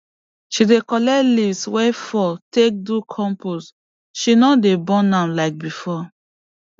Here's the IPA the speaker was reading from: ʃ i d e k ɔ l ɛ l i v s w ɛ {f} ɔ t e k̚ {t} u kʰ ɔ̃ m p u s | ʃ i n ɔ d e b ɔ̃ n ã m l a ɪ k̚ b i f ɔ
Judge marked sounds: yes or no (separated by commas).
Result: yes, no